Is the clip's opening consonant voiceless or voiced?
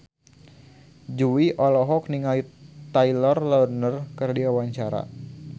voiced